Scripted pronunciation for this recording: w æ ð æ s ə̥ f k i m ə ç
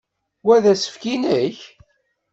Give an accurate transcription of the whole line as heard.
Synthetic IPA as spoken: w æ ð æ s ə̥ f k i n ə ç